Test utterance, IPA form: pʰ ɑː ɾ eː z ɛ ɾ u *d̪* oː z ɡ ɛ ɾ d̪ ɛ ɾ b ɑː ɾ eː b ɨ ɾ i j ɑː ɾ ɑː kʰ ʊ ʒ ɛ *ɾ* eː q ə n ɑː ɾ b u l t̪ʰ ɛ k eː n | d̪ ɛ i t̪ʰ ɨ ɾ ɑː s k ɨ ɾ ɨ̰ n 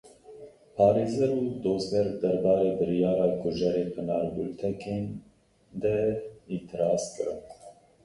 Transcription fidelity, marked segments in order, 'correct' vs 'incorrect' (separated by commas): correct, correct